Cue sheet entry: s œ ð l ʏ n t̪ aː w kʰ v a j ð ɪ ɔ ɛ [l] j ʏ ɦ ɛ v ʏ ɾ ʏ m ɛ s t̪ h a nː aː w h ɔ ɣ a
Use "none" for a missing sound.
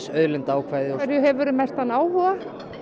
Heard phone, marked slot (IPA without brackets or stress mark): ɾ